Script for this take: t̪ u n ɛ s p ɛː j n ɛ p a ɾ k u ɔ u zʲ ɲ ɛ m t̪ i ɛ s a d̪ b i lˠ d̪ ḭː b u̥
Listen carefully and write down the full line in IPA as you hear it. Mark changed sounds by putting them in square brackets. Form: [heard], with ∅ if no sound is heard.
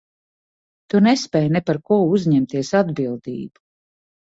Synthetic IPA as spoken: t̪ u n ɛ s p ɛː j n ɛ p a ɾ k u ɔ u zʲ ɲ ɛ m t̪ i ɛ s a d̪ b i lˠ d̪ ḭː b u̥